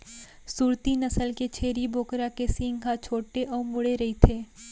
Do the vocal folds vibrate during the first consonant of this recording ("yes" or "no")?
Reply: no